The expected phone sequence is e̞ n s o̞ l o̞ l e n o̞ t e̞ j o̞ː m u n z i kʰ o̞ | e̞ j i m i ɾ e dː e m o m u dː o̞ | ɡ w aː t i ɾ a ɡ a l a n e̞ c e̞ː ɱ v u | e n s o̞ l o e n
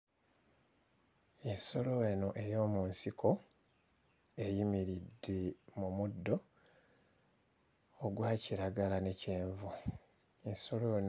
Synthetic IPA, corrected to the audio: e̞ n s o̞ l o̞ e n o̞ ʔ e̞ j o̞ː m u n s i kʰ o̞ | e̞ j i m i ɾ i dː e m u m u dː o̞ | ɡ w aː c i ɾ a ɡ a l a n e̞ c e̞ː ɱ v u | e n s o̞ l o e n